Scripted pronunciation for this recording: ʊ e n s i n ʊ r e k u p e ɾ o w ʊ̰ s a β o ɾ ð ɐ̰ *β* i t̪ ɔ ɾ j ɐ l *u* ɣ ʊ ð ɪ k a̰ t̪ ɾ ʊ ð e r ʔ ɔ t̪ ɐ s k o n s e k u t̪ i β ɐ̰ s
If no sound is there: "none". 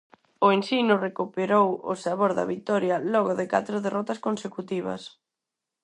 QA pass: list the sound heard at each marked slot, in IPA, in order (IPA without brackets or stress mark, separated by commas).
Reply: β, ɔ